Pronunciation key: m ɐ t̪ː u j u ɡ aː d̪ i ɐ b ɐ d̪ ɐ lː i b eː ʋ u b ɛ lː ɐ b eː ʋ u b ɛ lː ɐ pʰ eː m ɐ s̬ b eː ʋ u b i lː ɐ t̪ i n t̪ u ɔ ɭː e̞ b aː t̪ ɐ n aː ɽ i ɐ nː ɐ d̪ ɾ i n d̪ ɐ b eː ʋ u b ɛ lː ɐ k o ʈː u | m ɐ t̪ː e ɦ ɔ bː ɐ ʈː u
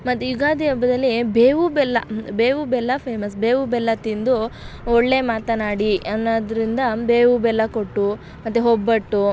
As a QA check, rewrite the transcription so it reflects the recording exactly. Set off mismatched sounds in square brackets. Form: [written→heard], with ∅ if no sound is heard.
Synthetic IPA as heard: m ɐ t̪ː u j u ɡ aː d̪ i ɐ b ɐ d̪ ɐ lː i b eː ʋ u b ɛ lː ɐ b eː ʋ u b ɛ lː ɐ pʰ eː m ɐ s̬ b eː ʋ u b [i→ɛ] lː ɐ t̪ i n [t̪→d̪] u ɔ ɭː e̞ [b→m] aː t̪ ɐ n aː ɽ i ɐ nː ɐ d̪ ɾ i n d̪ ɐ b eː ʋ u b ɛ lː ɐ k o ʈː u | m ɐ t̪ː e ɦ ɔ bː ɐ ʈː u